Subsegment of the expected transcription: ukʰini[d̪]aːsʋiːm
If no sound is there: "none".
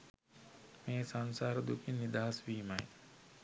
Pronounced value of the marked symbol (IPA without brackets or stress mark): d̪